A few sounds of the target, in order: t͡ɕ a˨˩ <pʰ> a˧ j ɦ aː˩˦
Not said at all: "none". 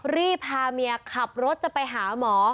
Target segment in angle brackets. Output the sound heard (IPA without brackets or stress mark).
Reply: p